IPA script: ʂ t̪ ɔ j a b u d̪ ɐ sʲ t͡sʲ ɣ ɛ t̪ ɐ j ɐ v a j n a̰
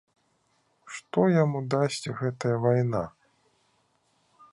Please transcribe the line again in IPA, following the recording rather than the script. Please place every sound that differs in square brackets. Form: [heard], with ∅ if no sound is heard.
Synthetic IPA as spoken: ʂ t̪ ɔ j a [m] u d̪ [a] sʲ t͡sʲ ɣ ɛ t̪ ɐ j ɐ v a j n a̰